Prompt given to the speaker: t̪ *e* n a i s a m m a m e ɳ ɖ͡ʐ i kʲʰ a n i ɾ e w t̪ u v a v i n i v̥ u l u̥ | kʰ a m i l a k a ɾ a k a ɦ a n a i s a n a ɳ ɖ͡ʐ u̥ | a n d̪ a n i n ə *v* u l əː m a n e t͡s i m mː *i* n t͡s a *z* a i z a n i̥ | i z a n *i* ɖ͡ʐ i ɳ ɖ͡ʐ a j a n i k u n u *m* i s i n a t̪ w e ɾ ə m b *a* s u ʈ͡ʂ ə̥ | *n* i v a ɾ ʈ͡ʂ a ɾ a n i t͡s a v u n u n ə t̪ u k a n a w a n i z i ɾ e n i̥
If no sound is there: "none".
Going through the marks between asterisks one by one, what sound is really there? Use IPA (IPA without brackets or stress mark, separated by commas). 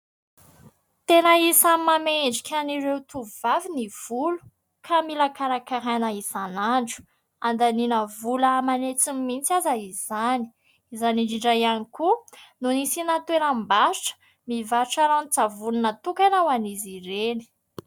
e, v, i, z, i, n, a, m